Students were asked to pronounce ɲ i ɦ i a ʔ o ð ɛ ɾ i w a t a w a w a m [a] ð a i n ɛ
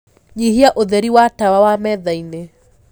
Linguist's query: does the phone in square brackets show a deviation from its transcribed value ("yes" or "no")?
yes